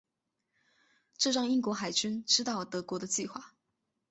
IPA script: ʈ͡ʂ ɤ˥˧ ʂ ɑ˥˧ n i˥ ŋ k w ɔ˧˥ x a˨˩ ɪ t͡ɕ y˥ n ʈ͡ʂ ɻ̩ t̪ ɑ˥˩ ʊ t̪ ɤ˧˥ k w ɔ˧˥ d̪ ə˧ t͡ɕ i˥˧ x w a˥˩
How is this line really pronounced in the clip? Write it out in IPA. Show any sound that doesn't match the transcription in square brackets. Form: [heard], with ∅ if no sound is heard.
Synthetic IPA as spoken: ʈ͡ʂ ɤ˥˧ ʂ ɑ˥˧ [ŋ] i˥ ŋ k w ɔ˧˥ x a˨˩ ɪ t͡ɕ y˥ n ʈ͡ʂ ɻ̩ t̪ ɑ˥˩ ʊ t̪ ɤ˧˥ k w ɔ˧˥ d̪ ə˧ t͡ɕ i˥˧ x w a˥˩